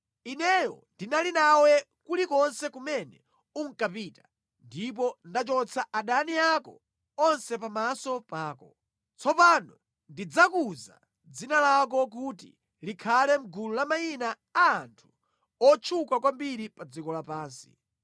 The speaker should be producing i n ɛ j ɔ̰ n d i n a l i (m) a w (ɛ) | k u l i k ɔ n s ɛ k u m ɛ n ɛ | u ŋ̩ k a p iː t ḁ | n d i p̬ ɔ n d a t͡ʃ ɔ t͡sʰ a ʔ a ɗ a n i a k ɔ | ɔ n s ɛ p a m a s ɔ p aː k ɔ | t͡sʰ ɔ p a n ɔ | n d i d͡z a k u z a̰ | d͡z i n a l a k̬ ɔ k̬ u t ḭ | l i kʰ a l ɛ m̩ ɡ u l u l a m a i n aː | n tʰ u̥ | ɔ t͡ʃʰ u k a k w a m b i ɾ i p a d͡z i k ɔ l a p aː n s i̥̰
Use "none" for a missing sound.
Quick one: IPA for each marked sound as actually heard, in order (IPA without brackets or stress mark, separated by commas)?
n, ɛ